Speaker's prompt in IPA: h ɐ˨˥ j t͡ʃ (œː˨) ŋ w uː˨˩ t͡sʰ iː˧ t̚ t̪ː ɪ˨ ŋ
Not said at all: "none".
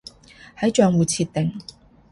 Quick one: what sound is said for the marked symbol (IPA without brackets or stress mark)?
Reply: œː˨